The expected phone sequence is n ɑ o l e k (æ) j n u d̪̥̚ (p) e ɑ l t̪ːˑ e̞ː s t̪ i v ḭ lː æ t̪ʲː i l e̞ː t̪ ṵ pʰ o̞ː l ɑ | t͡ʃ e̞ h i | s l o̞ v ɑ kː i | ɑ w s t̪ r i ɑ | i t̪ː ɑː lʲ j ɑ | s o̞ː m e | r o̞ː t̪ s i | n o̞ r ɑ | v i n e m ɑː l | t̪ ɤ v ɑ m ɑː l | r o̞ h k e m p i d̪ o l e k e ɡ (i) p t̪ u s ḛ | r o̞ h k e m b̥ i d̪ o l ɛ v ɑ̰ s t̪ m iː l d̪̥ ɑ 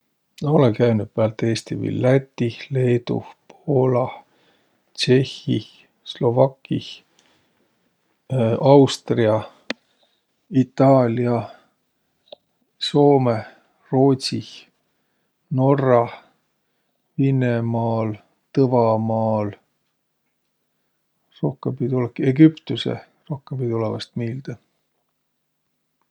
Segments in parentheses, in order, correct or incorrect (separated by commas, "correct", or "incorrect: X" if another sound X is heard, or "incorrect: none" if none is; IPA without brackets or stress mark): correct, correct, incorrect: y